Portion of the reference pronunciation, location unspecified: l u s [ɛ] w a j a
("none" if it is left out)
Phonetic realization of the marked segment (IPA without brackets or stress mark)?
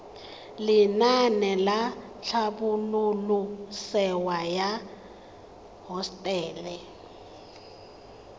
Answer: ɛ